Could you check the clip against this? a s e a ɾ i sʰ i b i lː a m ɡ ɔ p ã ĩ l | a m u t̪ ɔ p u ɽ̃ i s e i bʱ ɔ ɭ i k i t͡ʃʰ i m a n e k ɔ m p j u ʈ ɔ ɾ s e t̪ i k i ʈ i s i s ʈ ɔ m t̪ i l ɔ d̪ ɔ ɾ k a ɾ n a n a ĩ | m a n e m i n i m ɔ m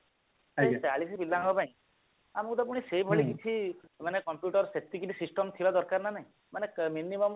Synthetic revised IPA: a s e a ɭ i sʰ i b i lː a ŋ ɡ ɔ p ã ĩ | a m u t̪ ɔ p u ɽ̃ i s e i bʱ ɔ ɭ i k i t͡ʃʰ i m a n e k ɔ m p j u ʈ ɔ ɾ s e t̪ i k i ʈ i s i s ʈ ɔ m t̪ʰ i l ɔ d̪ ɔ ɾ k a ɾ n a n a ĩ | m a n e m i n i m ɔ m